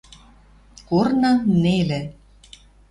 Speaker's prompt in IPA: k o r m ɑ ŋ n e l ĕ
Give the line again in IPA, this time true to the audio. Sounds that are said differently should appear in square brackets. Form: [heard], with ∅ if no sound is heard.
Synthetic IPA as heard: k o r [n] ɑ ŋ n e l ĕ